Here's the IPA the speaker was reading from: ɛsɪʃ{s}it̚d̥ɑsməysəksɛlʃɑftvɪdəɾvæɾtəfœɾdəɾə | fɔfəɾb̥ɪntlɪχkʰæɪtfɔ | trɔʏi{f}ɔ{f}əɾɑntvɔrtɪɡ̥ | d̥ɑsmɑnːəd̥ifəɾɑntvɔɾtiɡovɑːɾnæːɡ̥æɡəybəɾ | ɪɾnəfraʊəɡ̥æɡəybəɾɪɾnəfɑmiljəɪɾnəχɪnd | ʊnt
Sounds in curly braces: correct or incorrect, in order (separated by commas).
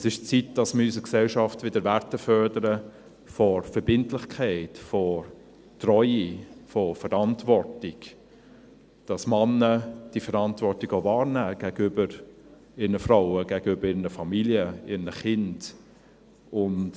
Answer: incorrect, correct, correct